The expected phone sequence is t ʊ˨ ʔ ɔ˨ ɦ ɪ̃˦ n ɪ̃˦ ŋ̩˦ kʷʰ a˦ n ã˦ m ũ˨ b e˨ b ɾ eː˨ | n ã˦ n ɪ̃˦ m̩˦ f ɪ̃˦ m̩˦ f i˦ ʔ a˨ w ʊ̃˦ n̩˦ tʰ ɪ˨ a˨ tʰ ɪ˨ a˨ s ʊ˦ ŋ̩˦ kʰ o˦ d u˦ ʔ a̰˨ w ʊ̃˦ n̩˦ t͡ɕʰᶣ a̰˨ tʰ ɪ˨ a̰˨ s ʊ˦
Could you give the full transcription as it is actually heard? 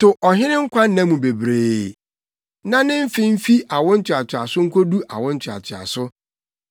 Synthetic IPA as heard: t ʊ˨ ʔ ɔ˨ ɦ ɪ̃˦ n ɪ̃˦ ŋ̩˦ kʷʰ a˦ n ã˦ m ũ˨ b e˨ b ɾ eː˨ | n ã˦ n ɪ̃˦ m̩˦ f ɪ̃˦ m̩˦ f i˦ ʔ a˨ w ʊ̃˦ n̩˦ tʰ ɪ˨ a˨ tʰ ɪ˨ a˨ s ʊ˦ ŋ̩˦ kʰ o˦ d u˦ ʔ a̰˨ w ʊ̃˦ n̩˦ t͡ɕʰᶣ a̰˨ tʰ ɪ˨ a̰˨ s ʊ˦